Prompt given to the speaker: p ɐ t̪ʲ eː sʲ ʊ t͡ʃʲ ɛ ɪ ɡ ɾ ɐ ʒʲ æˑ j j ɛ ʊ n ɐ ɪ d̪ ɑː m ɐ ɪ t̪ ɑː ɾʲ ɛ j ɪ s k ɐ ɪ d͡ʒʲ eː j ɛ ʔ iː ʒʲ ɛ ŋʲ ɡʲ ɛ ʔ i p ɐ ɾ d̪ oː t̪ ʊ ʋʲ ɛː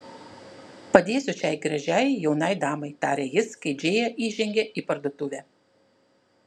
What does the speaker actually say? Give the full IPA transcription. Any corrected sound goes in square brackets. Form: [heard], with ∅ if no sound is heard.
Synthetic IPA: p ɐ [d̪ʲ] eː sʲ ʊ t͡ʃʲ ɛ ɪ ɡ ɾ ɐ ʒʲ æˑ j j ɛ ʊ n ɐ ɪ d̪ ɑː m ɐ ɪ t̪ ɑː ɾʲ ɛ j ɪ s k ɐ ɪ d͡ʒʲ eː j ɛ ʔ iː ʒʲ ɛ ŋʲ ɡʲ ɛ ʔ i p ɐ ɾ d̪ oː t̪ ʊ ʋʲ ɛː